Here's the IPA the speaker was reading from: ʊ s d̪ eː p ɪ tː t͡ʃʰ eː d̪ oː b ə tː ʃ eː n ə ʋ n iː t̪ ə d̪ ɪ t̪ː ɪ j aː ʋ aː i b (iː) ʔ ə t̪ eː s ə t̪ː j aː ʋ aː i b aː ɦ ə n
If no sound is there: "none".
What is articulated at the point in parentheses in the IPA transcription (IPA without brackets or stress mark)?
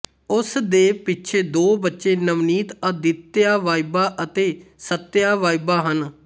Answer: aː